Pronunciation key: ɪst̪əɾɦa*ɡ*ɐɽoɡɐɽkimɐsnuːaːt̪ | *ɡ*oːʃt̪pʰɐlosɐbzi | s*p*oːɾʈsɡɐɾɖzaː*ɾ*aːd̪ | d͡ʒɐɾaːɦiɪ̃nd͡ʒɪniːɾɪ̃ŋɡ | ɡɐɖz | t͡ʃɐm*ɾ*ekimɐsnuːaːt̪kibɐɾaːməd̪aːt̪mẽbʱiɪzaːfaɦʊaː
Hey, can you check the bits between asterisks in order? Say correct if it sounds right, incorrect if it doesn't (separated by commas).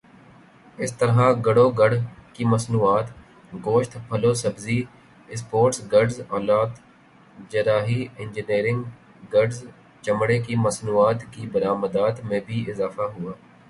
correct, correct, correct, incorrect, incorrect